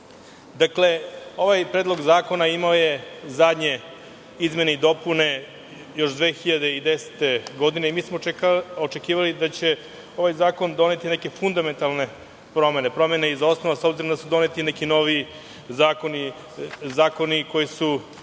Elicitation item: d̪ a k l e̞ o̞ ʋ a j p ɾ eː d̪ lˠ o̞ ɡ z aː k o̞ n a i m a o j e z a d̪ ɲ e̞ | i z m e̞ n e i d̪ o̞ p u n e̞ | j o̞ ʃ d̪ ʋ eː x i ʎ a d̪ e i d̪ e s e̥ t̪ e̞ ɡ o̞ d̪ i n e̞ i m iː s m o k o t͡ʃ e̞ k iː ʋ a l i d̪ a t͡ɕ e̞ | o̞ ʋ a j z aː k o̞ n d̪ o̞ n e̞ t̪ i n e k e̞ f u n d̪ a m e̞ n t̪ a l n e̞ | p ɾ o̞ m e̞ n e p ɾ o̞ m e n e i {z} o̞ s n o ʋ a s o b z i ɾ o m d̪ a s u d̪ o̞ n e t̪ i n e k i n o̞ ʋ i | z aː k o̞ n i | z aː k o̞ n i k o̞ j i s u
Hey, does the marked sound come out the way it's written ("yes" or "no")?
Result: yes